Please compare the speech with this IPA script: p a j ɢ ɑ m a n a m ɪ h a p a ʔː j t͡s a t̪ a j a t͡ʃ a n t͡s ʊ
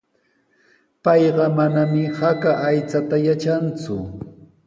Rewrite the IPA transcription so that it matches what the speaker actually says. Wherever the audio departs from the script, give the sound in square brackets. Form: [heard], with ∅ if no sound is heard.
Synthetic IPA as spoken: p [ɑ] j ɢ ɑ m a n a m ɪ h a [k] a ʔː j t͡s a t̪ a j a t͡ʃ a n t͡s ʊ